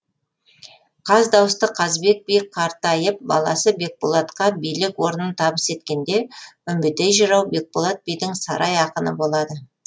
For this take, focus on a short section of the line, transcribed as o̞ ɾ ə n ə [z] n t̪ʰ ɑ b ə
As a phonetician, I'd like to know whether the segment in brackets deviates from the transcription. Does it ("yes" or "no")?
yes